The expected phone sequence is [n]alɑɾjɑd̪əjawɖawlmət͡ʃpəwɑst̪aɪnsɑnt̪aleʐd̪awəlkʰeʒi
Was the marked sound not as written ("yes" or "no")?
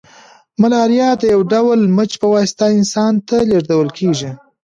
yes